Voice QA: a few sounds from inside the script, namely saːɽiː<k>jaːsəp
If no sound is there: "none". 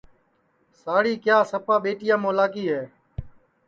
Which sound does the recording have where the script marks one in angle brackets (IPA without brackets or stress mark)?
k